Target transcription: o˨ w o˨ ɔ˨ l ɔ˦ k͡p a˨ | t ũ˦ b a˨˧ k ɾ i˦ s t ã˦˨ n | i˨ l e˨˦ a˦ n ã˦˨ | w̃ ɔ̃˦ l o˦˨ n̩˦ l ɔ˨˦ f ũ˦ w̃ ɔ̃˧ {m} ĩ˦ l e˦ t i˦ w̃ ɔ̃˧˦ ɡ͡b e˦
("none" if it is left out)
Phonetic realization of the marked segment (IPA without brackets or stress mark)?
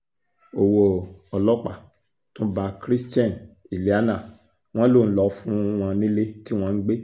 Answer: n